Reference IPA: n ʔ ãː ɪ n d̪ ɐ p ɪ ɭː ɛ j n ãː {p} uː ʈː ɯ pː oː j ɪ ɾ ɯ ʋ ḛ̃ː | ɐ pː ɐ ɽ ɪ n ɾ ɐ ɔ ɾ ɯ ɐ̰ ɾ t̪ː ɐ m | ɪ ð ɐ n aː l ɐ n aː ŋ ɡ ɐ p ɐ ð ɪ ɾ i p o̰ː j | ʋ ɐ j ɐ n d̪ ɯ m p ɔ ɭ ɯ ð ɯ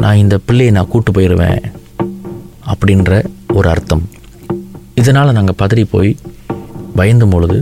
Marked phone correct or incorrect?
incorrect